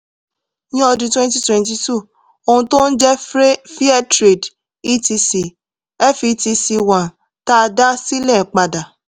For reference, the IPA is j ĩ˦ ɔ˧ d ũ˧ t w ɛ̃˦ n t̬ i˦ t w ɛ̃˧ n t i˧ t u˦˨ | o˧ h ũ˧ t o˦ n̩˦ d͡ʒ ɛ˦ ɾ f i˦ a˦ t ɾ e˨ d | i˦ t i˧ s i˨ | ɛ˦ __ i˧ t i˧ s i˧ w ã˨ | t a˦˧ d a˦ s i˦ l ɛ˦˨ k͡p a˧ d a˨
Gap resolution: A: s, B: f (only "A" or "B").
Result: B